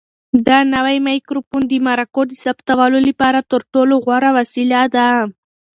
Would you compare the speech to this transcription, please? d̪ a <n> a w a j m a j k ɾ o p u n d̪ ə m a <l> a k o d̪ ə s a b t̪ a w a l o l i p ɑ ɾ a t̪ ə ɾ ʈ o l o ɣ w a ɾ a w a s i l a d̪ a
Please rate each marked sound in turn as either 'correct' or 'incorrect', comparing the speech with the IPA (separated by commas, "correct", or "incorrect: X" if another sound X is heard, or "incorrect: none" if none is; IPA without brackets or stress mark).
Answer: correct, incorrect: ɾ